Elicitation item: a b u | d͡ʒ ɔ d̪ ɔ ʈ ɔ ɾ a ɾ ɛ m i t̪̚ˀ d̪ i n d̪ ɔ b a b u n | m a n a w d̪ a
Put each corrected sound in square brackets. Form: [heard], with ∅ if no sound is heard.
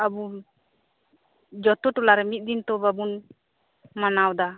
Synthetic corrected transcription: a b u | d͡ʒ ɔ [t̪] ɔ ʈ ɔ [l] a ɾ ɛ m i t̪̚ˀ d̪ i n [t̪] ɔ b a b u n | m a n a w d̪ a